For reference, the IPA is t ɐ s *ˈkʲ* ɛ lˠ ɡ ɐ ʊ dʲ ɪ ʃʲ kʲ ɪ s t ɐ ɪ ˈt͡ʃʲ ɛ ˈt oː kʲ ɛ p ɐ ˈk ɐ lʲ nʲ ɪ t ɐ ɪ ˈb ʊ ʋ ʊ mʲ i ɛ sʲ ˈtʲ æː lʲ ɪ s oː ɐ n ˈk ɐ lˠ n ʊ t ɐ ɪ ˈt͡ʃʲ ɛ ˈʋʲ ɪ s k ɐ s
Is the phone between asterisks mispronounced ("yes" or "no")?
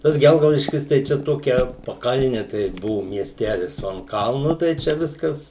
yes